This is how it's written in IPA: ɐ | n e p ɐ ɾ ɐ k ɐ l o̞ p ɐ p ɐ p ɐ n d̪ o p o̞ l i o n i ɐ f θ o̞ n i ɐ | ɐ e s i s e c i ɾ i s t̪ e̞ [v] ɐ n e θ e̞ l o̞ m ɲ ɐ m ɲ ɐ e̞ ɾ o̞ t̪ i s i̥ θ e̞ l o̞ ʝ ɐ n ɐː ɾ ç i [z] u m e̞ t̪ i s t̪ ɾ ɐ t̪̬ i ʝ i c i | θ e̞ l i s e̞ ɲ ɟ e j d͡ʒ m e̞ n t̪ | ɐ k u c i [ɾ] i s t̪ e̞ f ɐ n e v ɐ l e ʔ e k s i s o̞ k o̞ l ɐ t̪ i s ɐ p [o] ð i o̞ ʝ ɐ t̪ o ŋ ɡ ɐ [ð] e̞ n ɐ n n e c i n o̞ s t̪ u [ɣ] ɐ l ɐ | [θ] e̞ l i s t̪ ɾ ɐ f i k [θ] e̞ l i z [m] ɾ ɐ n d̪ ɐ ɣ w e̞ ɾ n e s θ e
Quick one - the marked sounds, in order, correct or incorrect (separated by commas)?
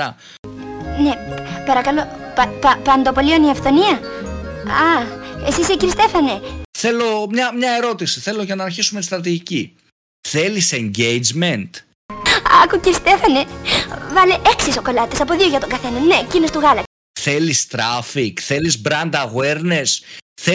incorrect, incorrect, correct, correct, incorrect, correct, correct, correct, incorrect